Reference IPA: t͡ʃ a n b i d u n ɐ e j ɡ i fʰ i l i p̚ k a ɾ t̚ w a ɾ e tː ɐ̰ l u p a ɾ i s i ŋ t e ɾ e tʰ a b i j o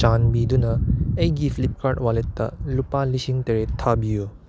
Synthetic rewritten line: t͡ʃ a n b i d u n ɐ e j ɡ i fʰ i l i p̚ k a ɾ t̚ w a l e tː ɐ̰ l u p a l i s i ŋ t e ɾ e tʰ a b i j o